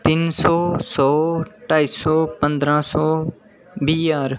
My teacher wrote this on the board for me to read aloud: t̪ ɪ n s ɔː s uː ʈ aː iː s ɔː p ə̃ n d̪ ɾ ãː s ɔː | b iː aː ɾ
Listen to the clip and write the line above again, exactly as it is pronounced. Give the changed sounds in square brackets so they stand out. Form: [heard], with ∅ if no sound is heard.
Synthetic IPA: t̪ ɪ n s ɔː s [ɔː] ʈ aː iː s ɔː p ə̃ n d̪ ɾ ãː s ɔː | b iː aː ɾ